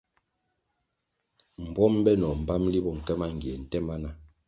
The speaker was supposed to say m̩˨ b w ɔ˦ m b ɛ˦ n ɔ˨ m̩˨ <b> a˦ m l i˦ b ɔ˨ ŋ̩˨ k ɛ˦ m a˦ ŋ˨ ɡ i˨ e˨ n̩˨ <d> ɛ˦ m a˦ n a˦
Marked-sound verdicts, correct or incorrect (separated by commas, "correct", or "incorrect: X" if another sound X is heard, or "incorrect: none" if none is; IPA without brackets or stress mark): correct, incorrect: t